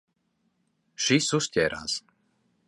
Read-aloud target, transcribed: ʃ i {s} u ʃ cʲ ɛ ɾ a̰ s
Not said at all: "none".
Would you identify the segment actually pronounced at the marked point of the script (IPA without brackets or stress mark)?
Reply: s